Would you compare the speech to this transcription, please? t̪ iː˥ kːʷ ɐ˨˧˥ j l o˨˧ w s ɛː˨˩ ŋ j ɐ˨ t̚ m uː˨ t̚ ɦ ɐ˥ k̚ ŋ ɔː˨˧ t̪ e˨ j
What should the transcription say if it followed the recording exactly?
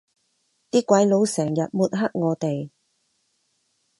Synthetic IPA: t̪ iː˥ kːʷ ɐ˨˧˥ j l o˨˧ w s ɛː˨˩ ŋ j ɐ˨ t̚ m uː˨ t̚ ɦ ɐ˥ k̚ ŋ ɔː˨˧ t̪ e˨ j